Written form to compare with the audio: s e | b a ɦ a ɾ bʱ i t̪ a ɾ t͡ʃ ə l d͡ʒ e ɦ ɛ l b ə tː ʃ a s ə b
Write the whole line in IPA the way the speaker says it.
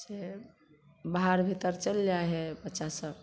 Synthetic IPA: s e | b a ɦ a ɾ bʱ i t̪ ə ɾ t͡ʃ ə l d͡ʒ a ɦ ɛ b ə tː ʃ a s ə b